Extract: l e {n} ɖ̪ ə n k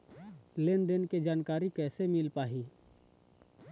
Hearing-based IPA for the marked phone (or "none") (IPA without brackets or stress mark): n